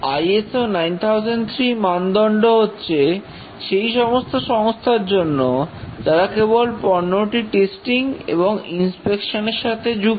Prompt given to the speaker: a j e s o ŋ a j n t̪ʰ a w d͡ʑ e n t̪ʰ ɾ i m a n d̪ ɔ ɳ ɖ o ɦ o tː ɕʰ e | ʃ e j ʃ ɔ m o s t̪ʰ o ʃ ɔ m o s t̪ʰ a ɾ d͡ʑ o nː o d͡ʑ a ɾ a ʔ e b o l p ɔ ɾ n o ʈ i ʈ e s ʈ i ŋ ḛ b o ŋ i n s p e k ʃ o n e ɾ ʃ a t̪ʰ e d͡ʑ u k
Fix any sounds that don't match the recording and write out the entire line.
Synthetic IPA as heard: a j e s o n a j n t̪ʰ a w d͡ʑ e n t̪ʰ ɾ i m a n d̪ ɔ ɳ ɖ o ɦ o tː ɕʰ e | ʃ e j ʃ ɔ m o s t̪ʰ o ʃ ɔ ŋ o s t̪ʰ a ɾ d͡ʑ o nː o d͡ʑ a ɾ a k e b o l p ɔ ɾ n o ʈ i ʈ e s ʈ i ŋ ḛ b o ŋ i n s p e k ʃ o n e ɾ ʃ a t̪ʰ e d͡ʑ u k